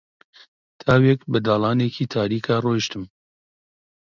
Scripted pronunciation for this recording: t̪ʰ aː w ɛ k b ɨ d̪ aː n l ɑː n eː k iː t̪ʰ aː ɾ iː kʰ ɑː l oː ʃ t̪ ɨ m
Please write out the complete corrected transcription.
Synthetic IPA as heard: t̪ʰ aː w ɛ k b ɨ d̪ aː l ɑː n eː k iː t̪ʰ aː ɾ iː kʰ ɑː r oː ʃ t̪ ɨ m